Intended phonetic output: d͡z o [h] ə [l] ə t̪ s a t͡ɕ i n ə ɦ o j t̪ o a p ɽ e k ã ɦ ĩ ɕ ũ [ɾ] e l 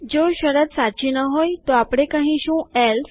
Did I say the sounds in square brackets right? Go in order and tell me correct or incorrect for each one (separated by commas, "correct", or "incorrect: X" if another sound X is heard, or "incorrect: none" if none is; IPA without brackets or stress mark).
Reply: incorrect: ɕ, incorrect: ɾ, incorrect: none